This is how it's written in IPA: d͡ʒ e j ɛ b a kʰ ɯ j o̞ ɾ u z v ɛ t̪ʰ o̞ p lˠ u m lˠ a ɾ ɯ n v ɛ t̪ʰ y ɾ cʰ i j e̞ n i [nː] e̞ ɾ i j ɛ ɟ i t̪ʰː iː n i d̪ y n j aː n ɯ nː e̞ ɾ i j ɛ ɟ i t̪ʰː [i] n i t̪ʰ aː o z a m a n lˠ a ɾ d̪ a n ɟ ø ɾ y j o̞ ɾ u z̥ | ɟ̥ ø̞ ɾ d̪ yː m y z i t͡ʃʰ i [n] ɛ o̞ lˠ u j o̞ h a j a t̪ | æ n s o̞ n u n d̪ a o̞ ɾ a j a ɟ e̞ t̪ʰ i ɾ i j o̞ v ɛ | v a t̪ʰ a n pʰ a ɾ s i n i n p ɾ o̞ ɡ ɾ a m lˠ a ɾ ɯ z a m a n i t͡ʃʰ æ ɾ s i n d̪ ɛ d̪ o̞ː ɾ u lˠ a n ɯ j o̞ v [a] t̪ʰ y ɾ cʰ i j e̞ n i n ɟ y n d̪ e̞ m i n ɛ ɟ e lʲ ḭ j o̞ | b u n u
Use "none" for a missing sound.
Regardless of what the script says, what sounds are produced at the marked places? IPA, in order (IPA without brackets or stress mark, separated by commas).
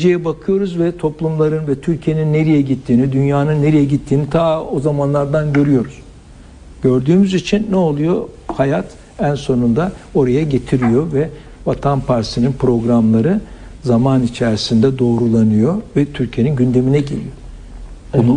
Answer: nː, iː, nː, ɛ